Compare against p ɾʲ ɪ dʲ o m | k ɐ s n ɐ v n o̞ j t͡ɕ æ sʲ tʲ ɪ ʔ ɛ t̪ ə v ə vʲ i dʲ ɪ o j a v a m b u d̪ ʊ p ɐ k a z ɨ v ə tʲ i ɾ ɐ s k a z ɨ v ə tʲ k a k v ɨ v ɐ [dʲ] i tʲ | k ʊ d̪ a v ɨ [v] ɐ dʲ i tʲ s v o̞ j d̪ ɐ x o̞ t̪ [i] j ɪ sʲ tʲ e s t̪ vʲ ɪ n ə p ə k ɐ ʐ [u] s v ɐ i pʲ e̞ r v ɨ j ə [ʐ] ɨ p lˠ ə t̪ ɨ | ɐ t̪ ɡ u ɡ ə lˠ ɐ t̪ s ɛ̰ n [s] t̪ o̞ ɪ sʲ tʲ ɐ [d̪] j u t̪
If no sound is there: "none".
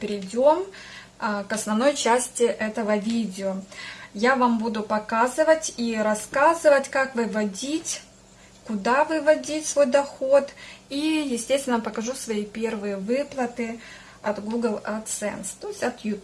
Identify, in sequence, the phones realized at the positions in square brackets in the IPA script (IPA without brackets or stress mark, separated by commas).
dʲ, v, i, u, v, s, t̪